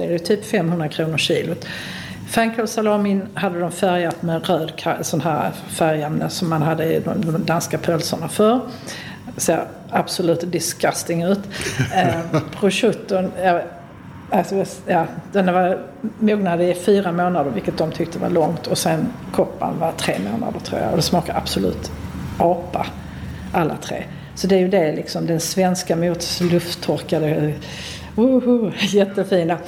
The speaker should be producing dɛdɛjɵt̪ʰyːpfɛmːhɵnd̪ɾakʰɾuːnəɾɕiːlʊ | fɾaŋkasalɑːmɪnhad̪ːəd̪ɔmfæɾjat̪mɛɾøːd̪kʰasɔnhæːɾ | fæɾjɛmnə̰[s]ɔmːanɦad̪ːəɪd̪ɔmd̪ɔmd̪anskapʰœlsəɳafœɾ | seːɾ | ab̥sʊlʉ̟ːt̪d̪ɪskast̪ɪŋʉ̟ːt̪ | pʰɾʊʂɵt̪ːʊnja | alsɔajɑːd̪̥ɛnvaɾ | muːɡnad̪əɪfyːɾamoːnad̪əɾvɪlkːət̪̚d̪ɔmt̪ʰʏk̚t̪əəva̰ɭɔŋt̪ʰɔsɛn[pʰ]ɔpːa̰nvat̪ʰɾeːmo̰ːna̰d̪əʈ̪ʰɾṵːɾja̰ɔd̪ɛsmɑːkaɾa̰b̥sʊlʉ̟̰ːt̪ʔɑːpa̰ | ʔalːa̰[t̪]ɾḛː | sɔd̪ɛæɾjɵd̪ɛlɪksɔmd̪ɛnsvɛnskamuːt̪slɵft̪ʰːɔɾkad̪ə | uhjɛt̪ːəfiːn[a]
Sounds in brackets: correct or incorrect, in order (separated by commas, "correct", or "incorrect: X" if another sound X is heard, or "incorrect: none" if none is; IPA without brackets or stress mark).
correct, incorrect: kʰ, incorrect: t̪ʰ, correct